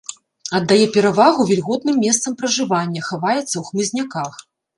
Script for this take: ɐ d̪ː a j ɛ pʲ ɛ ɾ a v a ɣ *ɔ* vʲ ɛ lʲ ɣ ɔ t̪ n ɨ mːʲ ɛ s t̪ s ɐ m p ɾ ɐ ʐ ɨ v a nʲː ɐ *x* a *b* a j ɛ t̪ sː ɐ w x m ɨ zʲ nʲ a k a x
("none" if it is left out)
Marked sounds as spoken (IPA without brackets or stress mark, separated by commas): u, x, v